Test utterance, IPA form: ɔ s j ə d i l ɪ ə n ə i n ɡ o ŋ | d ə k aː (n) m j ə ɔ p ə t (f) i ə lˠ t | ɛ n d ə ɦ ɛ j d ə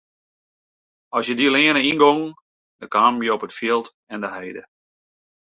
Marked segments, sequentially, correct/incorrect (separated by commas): incorrect, correct